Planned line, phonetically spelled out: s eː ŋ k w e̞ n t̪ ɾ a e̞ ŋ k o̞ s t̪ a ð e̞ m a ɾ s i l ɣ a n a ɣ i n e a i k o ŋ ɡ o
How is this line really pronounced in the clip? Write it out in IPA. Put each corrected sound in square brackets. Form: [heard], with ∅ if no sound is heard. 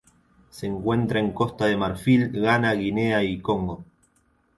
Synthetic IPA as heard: s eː ŋ k w e̞ n t̪ ɾ a e̞ ŋ k o̞ s t̪ a ð e̞ m a ɾ [f] i l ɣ a n a ɣ i n e a i k o ŋ ɡ o